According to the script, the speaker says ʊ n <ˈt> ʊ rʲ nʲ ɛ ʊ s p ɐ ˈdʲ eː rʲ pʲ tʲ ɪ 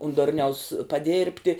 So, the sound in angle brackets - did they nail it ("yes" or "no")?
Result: no